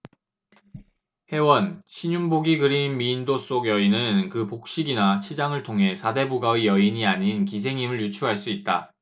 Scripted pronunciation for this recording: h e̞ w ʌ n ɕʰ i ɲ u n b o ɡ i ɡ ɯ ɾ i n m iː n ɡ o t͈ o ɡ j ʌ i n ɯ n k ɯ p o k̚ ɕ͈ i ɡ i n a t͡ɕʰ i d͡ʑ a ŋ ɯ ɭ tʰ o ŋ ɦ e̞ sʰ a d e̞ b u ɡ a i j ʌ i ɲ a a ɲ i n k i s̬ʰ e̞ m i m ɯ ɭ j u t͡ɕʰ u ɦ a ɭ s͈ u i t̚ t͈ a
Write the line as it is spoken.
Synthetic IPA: h e̞ w ʌ n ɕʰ i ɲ u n b o ɡ i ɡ ɯ ɾ i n m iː n d o s͈ o ɡ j ʌ i n ɯ n k ɯ p o k̚ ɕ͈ i ɡ i n a t͡ɕʰ i d͡ʑ a ŋ ɯ ɭ tʰ o ŋ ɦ e̞ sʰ a d e̞ b u ɡ a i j ʌ i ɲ i a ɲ i n k i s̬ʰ e̞ ŋ i m ɯ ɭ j u t͡ɕʰ u ɦ a ɭ s͈ u i t̚ t͈ a